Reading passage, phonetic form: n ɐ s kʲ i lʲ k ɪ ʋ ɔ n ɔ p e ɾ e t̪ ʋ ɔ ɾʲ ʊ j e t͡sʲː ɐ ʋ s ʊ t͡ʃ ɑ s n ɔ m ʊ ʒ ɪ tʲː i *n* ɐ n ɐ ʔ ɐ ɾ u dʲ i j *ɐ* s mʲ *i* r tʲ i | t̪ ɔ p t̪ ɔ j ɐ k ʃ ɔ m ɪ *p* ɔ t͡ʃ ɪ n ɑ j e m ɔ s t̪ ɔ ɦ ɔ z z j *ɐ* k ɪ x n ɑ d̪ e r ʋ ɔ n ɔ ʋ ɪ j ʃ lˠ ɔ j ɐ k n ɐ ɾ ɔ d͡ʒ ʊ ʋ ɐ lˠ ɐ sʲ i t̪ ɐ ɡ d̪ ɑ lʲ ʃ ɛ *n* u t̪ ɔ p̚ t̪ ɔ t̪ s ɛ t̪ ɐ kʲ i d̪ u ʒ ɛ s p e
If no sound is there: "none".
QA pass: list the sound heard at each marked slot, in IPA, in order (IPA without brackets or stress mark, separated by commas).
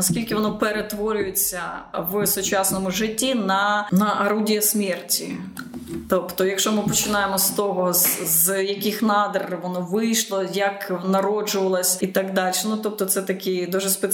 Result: n, ɐ, ɛ, p, ɐ, n